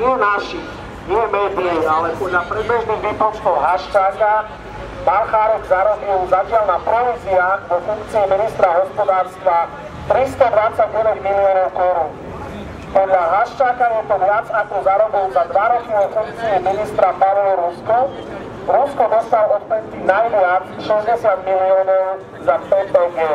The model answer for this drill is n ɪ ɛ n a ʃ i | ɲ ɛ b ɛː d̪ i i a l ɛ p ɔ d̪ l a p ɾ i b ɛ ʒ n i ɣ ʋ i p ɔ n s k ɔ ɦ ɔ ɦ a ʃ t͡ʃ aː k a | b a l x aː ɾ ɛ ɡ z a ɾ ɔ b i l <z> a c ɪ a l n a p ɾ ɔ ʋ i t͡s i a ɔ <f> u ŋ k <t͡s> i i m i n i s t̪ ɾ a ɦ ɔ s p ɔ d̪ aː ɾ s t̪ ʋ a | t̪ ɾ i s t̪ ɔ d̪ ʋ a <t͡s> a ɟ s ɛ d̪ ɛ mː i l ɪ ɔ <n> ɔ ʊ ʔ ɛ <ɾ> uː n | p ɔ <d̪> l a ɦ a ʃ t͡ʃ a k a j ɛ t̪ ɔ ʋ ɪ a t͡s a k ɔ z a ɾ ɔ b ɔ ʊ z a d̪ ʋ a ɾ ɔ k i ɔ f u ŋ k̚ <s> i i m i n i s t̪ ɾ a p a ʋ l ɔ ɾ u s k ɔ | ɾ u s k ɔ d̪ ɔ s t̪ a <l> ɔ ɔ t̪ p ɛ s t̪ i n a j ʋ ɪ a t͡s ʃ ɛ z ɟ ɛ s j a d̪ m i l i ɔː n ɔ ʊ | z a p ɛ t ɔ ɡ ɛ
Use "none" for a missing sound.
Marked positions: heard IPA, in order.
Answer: z, f, t͡s, t͡s, n, ɾ, d̪, t͡s, l

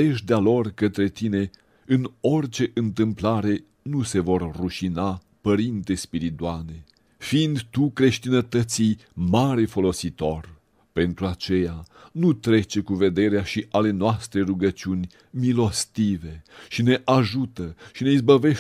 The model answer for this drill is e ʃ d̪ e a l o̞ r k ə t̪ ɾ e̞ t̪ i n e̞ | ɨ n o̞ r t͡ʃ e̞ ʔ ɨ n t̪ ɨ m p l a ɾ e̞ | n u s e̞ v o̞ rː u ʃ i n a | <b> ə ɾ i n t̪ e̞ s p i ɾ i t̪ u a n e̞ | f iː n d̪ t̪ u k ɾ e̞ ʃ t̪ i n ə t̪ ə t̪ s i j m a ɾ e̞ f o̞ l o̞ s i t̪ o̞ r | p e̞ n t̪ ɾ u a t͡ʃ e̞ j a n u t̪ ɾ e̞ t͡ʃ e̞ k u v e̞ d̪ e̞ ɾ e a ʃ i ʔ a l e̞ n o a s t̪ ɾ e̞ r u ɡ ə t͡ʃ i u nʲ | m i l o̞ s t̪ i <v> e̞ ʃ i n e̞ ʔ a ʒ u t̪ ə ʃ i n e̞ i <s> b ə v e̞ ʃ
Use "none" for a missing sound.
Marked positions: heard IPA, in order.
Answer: p, v, z

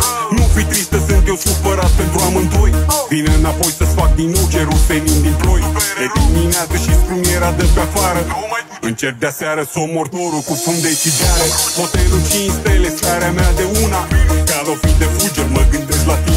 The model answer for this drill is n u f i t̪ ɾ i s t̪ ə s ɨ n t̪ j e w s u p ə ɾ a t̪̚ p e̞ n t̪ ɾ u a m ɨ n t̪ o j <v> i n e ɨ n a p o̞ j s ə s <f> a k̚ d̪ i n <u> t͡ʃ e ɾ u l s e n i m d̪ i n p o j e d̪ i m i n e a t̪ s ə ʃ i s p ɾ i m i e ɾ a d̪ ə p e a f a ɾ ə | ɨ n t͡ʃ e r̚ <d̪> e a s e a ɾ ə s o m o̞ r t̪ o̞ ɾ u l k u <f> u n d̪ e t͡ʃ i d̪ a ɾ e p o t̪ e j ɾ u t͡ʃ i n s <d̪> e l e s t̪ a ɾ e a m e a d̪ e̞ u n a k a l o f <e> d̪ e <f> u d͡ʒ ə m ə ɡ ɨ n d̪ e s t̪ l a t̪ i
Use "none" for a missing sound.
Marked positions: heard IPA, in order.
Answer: v, f, u, d̪, f, t̪, i, f

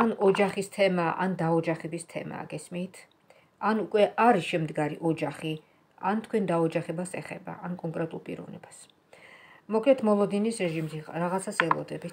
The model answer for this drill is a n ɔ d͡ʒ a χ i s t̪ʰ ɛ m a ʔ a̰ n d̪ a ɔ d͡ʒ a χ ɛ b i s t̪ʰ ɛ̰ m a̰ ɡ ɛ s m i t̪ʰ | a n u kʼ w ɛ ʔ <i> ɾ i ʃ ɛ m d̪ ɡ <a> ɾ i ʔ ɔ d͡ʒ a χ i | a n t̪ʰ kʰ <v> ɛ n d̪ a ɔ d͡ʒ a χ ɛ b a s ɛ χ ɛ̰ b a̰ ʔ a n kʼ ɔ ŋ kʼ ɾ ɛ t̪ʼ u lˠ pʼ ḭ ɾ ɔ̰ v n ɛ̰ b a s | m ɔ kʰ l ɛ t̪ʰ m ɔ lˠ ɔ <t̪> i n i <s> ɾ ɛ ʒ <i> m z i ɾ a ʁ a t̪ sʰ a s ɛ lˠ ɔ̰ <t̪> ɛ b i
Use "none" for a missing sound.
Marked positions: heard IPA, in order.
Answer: a, a, w, d̪, s, i, d̪

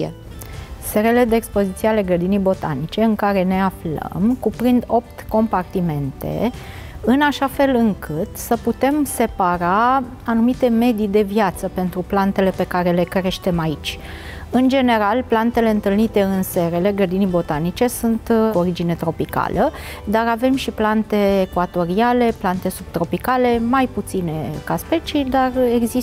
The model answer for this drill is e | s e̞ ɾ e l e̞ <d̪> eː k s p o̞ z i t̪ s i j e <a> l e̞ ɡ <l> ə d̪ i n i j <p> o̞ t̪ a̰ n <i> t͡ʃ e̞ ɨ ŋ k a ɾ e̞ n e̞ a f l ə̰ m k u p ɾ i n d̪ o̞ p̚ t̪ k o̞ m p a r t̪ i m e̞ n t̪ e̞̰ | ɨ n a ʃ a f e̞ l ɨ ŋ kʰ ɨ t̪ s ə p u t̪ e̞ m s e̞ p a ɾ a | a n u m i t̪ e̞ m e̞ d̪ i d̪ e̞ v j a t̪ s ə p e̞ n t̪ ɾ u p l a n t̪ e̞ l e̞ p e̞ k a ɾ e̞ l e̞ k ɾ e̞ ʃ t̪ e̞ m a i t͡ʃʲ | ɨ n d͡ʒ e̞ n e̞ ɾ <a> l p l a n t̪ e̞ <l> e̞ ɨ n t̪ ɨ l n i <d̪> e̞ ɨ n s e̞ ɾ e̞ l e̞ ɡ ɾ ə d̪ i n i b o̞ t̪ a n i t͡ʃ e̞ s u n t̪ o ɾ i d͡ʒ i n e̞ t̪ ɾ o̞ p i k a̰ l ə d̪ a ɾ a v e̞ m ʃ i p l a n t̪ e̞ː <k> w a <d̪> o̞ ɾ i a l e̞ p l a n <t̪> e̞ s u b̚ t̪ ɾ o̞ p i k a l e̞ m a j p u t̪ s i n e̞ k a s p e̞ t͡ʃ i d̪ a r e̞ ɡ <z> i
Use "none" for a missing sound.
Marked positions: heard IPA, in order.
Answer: d̪, a, ɾ, b, i, a, l, t̪, k, t̪, t̪, z

